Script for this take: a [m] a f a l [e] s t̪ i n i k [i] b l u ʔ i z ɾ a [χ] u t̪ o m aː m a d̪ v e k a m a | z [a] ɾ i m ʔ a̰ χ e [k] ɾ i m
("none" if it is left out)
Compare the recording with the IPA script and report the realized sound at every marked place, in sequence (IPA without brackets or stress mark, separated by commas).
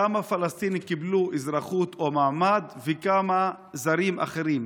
m, a, i, χ, a, none